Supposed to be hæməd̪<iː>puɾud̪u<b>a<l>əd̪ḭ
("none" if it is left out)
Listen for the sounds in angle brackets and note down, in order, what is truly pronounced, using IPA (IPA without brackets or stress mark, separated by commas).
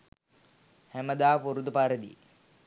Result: aː, p, ɾ